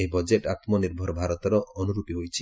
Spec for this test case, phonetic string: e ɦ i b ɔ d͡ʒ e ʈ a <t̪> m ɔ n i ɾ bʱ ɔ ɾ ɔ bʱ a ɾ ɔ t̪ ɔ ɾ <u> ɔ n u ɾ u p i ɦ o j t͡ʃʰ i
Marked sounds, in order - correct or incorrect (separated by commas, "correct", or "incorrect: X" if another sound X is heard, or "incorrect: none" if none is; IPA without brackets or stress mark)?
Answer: correct, incorrect: ɔ